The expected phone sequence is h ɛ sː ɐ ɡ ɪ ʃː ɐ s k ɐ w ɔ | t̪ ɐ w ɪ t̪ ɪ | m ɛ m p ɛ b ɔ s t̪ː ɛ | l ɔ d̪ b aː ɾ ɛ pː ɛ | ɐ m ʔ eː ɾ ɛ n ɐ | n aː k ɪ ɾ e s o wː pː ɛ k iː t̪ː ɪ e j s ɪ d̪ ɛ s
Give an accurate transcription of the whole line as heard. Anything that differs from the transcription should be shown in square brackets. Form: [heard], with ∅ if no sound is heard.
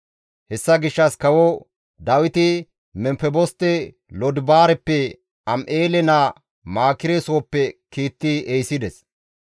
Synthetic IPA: h ɛ sː ɐ ɡ ɪ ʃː ɐ s k ɐ w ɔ | [d̪] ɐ w ɪ t̪ ɪ | m ɛ m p ɛ b ɔ s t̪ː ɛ | l ɔ d̪ b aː ɾ ɛ pː ɛ | ɐ m ʔ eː [l] ɛ n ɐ | [m] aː k ɪ ɾ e s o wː pː ɛ k iː t̪ː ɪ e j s ɪ d̪ ɛ s